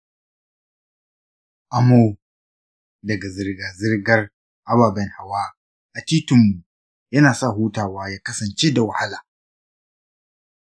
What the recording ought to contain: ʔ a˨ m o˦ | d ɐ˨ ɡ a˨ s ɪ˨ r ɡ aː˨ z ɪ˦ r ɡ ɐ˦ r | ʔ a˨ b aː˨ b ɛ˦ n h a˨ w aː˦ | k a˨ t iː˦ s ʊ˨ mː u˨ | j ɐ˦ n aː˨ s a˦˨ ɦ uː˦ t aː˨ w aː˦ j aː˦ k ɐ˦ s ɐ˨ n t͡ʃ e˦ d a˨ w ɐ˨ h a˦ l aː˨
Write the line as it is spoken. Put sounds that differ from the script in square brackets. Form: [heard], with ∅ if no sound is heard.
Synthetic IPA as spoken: ʔ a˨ m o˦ | d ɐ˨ ɡ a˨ [z] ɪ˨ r ɡ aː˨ z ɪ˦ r ɡ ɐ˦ r | ʔ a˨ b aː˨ b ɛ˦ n h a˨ w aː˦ | [ʔ] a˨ t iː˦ [t] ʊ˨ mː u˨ | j ɐ˦ n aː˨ s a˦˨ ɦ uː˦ t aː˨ w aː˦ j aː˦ k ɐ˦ s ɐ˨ n t͡ʃ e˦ d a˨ w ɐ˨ h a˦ l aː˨